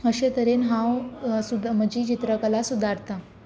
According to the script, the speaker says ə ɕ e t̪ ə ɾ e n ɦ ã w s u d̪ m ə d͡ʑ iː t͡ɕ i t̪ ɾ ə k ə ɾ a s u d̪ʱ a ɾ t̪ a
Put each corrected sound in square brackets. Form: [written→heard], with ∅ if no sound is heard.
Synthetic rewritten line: ə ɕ e t̪ ə ɾ e n ɦ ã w s u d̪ m ə d͡ʑ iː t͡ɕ i t̪ ɾ ə k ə [ɾ→l] a s u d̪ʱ a ɾ t̪ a